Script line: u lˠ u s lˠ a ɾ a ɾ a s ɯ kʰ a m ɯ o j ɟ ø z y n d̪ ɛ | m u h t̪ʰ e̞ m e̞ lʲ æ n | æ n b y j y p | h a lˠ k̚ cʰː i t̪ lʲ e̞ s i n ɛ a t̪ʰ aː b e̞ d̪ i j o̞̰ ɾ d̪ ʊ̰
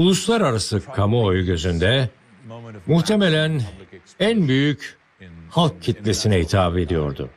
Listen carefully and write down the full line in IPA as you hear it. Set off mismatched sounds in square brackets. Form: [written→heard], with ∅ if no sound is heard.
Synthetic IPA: u lˠ u s lˠ a ɾ a ɾ a s ɯ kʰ a m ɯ o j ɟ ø z y n d̪ ɛ | m u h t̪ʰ e̞ m e̞ lʲ æ n | æ n b y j y [p→c] | h a lˠ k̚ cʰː i t̪ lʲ e̞ s i n ɛ [a→i] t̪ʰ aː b e̞ d̪ i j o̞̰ ɾ d̪ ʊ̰